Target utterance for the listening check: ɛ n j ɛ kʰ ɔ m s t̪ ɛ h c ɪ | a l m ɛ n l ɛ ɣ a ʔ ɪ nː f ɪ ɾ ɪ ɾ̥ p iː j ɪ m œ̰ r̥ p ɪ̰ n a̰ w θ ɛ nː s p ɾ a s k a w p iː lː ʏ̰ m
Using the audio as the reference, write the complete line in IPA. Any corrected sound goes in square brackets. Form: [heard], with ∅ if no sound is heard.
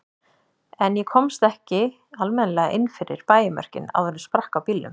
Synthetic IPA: ɛ n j ɛ kʰ ɔ m s t̪ ɛ h c ɪ | a l m ɛ n l ɛ ɣ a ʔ ɪ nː f ɪ ɾ ɪ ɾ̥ p [aː] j ɪ m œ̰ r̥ [c] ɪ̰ n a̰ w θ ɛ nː s p ɾ a [h] k a w p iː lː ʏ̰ m